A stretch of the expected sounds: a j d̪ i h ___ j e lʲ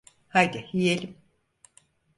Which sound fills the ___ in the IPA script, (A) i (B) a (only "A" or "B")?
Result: A